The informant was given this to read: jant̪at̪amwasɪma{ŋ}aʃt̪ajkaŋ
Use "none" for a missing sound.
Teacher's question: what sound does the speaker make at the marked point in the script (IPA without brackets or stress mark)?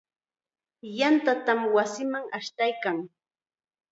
ŋ